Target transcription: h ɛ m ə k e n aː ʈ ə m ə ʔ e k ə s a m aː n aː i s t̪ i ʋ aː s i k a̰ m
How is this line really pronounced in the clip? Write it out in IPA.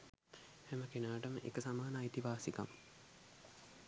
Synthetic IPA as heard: h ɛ m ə k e n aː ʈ ə m ə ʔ e k ə s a m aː n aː i t̪ i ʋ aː s i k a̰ m